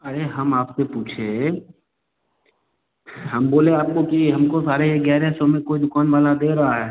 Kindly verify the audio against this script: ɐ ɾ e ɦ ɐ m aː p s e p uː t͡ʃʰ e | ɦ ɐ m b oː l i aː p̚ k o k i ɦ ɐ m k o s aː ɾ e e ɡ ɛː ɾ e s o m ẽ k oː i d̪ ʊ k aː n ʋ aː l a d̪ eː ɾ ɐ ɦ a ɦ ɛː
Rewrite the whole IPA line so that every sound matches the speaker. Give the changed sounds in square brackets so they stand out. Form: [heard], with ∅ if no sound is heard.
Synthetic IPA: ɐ ɾ e ɦ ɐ m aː p s e p uː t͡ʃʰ e | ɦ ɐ m b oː l [e] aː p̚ k o k i ɦ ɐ m k o s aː ɾ e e ɡ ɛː ɾ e s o m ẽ k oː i d̪ ʊ k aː n ʋ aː l a d̪ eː ɾ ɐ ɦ a ɦ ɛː